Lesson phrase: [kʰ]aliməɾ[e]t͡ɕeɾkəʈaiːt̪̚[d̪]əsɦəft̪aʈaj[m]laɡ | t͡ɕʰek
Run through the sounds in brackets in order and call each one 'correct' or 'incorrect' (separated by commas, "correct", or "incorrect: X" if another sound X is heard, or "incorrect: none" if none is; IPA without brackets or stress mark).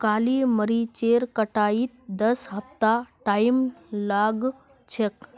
incorrect: k, incorrect: i, correct, correct